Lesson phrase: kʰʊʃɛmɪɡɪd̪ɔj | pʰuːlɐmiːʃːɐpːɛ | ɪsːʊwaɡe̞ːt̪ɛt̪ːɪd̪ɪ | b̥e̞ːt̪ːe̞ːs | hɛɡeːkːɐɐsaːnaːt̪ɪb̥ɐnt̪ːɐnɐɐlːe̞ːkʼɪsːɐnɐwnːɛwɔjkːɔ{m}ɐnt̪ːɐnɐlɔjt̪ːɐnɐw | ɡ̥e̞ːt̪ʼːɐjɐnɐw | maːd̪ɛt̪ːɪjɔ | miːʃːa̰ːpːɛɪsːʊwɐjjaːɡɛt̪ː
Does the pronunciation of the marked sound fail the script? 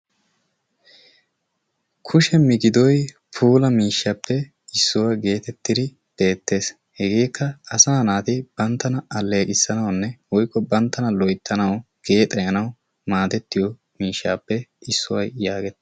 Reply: yes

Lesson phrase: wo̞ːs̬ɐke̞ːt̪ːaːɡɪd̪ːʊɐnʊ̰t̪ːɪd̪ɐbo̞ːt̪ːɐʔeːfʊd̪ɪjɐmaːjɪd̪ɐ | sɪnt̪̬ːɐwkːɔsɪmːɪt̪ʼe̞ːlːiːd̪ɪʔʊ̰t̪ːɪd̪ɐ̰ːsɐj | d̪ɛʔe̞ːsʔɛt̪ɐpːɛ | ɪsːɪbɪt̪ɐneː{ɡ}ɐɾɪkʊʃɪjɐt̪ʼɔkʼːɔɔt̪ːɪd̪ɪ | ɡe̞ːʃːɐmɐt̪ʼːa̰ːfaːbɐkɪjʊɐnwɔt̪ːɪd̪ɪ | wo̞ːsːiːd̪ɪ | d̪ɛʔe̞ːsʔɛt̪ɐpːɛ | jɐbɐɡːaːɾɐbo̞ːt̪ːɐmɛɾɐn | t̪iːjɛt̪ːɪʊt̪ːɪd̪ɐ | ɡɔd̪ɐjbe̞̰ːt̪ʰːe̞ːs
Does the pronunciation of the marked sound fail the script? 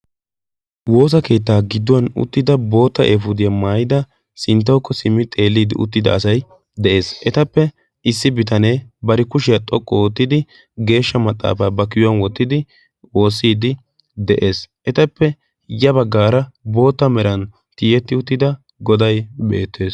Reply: yes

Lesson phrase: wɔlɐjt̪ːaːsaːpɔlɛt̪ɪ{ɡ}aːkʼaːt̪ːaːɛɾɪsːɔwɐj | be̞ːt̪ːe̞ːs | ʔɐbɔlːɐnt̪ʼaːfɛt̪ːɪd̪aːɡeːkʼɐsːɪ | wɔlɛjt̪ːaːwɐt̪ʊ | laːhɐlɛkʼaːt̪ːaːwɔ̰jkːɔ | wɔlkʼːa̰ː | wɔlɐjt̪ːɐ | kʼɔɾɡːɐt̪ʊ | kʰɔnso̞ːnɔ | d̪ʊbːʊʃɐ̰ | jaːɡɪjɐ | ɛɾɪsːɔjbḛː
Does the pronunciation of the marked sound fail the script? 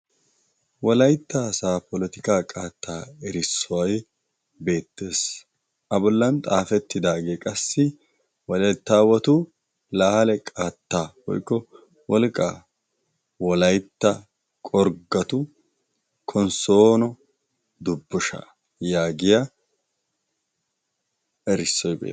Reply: yes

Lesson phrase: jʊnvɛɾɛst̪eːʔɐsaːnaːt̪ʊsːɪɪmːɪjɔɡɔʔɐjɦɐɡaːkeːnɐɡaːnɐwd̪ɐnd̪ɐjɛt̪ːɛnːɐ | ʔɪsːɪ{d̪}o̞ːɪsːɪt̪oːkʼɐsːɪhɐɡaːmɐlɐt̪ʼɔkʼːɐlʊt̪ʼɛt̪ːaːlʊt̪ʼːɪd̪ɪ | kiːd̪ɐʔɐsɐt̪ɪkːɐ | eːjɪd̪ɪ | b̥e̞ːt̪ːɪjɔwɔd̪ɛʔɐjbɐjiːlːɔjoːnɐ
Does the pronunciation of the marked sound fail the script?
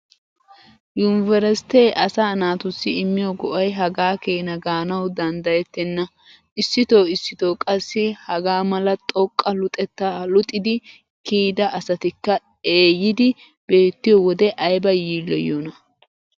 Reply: yes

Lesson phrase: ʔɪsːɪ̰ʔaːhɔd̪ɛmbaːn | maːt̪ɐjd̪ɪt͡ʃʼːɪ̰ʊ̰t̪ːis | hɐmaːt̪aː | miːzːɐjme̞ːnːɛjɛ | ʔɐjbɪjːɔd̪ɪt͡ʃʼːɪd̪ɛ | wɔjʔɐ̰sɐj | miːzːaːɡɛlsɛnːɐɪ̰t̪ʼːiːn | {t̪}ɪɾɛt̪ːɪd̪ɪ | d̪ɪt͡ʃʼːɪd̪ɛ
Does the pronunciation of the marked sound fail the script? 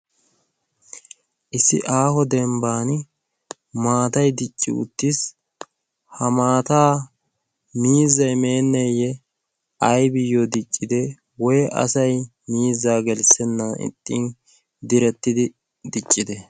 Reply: yes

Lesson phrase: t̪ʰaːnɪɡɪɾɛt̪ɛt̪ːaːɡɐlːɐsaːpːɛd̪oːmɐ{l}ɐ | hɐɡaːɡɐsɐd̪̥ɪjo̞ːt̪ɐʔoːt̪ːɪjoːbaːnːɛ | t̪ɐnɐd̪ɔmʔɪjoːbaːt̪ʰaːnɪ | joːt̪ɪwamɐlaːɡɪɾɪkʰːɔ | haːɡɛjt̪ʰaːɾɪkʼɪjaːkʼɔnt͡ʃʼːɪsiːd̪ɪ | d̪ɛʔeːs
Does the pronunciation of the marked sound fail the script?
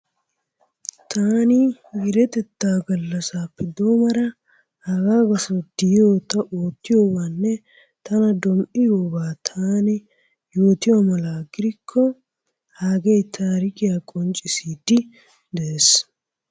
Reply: yes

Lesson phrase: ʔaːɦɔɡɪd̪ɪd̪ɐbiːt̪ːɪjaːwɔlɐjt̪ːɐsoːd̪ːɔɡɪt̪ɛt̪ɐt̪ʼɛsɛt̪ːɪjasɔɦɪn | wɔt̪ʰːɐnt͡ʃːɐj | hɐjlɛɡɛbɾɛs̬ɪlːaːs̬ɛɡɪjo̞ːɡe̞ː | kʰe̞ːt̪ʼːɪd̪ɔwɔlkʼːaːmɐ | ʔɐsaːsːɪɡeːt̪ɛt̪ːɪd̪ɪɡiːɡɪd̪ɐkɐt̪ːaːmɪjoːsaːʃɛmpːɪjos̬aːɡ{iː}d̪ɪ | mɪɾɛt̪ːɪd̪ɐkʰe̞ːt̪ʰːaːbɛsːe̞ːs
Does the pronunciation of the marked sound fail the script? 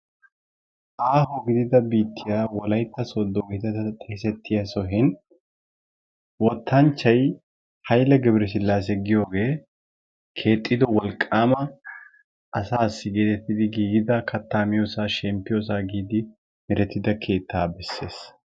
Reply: no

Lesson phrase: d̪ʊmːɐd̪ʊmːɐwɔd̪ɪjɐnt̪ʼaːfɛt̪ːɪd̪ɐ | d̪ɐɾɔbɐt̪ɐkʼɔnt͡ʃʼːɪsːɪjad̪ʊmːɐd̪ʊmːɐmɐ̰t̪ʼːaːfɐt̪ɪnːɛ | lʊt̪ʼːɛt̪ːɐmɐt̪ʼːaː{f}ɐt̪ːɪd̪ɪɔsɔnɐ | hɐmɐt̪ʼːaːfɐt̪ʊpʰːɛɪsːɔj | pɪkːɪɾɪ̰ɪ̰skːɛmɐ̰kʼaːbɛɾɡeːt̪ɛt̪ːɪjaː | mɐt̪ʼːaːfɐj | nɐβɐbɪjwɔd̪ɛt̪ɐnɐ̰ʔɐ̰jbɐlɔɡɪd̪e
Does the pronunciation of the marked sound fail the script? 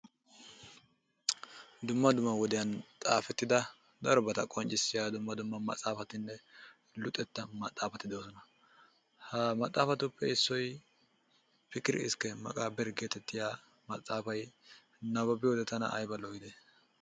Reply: no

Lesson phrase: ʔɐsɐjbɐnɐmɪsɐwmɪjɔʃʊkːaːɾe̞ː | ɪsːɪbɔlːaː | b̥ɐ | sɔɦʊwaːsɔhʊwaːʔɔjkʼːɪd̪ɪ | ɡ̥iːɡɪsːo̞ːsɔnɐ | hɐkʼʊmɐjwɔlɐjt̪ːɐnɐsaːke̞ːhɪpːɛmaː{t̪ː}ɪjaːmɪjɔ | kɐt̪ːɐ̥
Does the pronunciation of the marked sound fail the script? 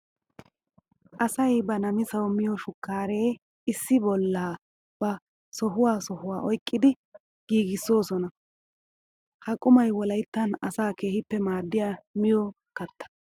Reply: yes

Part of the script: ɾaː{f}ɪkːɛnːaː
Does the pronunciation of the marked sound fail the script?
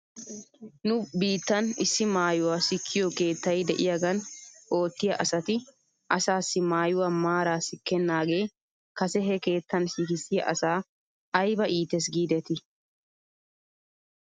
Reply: yes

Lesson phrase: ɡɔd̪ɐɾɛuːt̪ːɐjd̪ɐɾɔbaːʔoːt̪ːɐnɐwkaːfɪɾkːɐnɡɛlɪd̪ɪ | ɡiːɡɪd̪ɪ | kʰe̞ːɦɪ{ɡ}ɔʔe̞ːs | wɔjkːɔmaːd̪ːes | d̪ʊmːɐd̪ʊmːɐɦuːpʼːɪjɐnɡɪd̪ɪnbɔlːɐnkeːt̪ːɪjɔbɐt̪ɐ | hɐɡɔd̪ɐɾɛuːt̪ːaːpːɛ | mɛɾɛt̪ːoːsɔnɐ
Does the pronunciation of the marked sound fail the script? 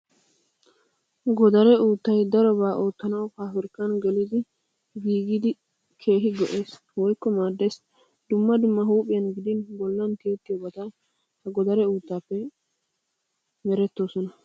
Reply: no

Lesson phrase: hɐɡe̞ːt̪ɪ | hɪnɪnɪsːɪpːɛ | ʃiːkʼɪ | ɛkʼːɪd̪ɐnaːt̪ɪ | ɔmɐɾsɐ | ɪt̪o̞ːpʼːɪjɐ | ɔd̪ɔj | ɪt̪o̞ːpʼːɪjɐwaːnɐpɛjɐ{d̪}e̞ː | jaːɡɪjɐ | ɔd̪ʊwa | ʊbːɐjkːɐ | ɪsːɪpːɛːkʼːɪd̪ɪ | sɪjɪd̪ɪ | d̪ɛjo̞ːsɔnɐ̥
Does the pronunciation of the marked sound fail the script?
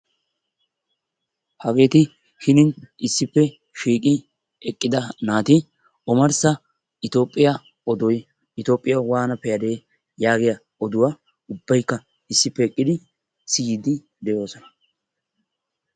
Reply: no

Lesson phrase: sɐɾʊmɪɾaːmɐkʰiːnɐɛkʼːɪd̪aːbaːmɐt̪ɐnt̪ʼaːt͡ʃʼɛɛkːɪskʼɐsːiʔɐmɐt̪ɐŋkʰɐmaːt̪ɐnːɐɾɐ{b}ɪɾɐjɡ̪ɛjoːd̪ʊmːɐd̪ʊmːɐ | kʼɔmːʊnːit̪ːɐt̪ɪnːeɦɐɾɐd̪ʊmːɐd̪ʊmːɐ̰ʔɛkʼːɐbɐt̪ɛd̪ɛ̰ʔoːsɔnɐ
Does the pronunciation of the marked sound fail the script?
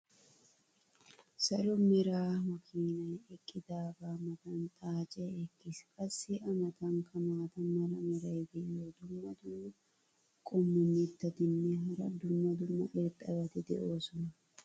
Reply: yes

